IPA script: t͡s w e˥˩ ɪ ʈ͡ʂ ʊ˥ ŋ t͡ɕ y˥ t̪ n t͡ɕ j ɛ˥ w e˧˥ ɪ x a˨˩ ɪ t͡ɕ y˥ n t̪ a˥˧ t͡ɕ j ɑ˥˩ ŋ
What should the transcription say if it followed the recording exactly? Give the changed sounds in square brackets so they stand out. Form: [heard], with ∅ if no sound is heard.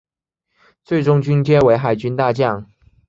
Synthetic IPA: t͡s w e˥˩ ɪ ʈ͡ʂ ʊ˥ ŋ t͡ɕ y˥ [∅] n t͡ɕ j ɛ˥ w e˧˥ ɪ x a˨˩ ɪ t͡ɕ y˥ n t̪ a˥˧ t͡ɕ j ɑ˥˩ ŋ